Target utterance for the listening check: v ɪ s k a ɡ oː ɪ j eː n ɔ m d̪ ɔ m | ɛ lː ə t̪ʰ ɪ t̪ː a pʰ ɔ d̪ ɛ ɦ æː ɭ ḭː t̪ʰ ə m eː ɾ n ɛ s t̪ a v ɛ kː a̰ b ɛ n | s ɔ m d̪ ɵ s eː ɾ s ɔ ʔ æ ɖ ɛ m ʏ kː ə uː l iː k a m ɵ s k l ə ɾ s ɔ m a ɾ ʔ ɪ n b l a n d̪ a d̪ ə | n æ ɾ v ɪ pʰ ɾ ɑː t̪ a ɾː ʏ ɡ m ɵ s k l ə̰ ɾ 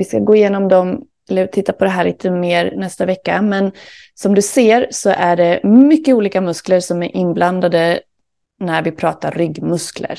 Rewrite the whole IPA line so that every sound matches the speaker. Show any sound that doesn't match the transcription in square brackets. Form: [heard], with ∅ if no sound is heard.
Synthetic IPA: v ɪ s k a ɡ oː ɪ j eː n ɔ m d̪ ɔ m | ɛ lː ə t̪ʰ ɪ t̪ː a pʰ ɔ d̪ ɛ ɦ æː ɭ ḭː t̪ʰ ə m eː ɾ n ɛ s t̪ a v ɛ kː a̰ [m] ɛ n | s ɔ m d̪ ɵ s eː ɾ s ɔ ʔ æ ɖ ɛ m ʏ kː ə uː l iː k a m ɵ s k l ə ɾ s ɔ m [æ] ɾ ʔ ɪ n b l a n d̪ a d̪ ə | n æ ɾ v ɪ pʰ ɾ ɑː t̪ a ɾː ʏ ɡ m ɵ s k l ə̰ ɾ